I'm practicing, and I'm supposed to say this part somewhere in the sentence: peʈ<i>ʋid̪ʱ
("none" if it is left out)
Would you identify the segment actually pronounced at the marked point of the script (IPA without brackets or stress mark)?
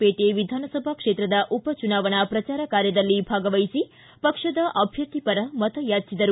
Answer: e